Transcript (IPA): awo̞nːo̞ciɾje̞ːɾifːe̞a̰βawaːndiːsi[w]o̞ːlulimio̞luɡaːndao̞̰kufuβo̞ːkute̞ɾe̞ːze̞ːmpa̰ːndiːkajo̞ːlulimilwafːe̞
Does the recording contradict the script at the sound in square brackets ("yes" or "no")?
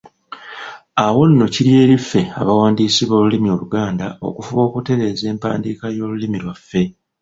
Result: yes